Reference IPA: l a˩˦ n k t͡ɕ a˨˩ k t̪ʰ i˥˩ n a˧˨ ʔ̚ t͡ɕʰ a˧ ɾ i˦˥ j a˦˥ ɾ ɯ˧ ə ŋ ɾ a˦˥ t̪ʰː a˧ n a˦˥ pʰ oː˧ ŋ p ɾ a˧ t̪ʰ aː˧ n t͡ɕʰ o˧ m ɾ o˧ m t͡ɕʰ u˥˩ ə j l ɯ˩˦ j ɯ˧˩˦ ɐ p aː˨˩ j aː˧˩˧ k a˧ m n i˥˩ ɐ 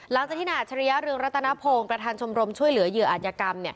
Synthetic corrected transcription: l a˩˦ ŋ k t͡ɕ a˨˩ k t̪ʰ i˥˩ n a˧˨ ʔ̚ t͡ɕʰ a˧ ɾ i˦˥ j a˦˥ ɾ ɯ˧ ə ŋ ɾ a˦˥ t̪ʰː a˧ n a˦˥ pʰ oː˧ ŋ p ɾ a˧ t̪ʰ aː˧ n t͡ɕʰ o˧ m ɾ o˧ m t͡ɕʰ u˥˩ ə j l ɯ˩˦ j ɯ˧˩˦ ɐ ʔ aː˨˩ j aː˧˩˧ k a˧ m n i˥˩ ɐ

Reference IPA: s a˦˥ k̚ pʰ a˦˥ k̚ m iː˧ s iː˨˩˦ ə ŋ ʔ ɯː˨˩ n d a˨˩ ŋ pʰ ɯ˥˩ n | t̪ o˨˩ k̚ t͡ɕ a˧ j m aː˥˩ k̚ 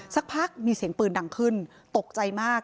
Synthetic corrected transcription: s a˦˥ k̚ pʰ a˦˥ k̚ m iː˧ s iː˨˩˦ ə ŋ p ɯː˨˩ n d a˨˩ ŋ kʰ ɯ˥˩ n | t̪ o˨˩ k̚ t͡ɕ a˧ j m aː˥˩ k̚

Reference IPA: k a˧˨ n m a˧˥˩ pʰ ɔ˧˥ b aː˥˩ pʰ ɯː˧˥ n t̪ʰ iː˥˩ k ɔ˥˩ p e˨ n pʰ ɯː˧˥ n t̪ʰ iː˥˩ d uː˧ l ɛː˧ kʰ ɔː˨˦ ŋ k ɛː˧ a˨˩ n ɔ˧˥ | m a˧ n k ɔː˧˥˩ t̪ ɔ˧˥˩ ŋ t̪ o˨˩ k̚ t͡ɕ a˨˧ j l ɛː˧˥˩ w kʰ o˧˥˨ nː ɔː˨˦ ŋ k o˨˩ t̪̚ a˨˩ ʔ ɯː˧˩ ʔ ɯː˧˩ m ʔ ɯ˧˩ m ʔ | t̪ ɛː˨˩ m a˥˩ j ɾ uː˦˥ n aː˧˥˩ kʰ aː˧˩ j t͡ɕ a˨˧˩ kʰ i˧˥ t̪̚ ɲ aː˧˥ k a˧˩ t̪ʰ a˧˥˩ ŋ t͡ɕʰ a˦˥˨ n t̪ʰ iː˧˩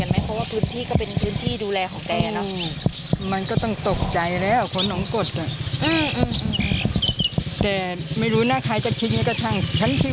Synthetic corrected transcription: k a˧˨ n m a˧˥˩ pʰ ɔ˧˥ w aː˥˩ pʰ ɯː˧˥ n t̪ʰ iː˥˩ k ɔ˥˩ p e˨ n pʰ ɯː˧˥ n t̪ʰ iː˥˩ d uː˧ l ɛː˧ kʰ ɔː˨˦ ŋ k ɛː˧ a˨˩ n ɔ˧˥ | m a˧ n k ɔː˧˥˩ t̪ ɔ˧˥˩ ŋ t̪ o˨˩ k̚ t͡ɕ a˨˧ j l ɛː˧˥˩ w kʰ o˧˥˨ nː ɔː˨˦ ŋ k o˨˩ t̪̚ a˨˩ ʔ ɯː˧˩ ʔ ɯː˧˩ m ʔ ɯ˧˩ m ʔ | t̪ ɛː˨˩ m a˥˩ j ɾ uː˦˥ n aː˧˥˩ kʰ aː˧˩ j t͡ɕ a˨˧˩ kʰ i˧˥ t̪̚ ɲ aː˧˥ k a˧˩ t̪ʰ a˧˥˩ ŋ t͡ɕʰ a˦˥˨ n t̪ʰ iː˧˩

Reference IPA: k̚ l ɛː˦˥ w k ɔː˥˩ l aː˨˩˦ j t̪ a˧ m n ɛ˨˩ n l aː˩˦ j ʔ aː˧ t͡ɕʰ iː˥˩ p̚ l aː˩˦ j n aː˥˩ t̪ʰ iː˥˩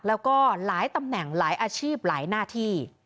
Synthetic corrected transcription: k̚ l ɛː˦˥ w k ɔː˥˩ l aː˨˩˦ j t̪ a˧ m n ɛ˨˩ ŋ l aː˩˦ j ʔ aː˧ t͡ɕʰ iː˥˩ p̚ l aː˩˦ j n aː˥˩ t̪ʰ iː˥˩

